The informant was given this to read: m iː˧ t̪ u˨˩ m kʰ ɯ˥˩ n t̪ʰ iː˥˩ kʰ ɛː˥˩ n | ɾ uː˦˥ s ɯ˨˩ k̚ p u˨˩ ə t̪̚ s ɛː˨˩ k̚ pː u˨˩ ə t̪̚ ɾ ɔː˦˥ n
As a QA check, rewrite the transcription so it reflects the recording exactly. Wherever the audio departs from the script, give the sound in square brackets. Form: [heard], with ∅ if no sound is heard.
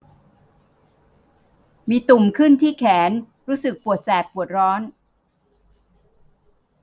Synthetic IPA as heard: m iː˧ t̪ u˨˩ m kʰ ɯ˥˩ n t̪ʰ iː˥˩ kʰ [ɛː˩˦] n | ɾ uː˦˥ s ɯ˨˩ k̚ p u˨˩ ə t̪̚ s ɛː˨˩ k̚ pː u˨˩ ə t̪̚ ɾ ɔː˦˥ n